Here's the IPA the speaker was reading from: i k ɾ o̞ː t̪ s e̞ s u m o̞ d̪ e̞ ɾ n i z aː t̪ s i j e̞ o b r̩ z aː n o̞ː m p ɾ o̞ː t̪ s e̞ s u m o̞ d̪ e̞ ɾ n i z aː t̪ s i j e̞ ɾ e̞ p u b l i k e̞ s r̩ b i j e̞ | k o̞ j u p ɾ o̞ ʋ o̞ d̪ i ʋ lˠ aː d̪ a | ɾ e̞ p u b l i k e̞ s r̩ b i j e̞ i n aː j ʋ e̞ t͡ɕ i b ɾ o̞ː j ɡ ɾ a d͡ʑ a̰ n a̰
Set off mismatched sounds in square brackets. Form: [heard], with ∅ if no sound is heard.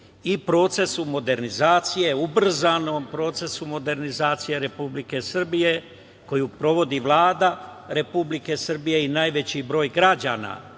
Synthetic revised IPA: i [p] ɾ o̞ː t̪ s e̞ s u m o̞ d̪ e̞ ɾ n i z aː t̪ s i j e̞ [u] b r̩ z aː n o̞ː m p ɾ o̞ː t̪ s e̞ s u m o̞ d̪ e̞ ɾ n i z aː t̪ s i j e̞ ɾ e̞ p u b l i k e̞ s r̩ b i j e̞ | k o̞ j u p ɾ o̞ ʋ o̞ d̪ i ʋ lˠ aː d̪ a | ɾ e̞ p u b l i k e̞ s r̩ b i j e̞ i n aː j ʋ e̞ t͡ɕ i b ɾ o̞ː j ɡ ɾ a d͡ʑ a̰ n a̰